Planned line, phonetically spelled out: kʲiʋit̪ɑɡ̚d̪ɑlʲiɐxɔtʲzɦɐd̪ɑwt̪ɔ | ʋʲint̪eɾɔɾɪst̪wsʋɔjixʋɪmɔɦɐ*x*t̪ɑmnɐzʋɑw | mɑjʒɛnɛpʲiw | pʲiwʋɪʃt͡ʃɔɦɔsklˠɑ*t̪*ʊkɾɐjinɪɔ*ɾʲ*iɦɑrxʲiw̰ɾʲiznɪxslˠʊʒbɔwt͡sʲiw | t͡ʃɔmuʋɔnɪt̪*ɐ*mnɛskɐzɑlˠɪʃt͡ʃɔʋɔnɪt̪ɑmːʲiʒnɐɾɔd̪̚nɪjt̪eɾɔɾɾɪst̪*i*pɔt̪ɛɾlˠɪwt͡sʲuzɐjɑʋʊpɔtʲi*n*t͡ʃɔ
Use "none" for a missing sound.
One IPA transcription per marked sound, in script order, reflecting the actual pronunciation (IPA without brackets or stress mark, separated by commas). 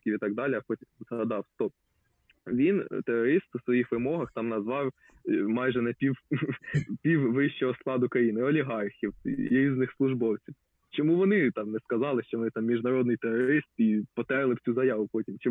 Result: x, d̪, lʲ, ɑ, i, m